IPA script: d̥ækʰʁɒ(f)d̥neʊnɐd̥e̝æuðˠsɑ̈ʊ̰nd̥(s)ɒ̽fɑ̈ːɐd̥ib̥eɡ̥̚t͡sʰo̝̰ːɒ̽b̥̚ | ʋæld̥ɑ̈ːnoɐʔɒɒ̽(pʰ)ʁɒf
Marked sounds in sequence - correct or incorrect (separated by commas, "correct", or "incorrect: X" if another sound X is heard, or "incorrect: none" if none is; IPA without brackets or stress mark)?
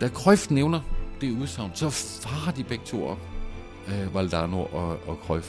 correct, correct, incorrect: kʰ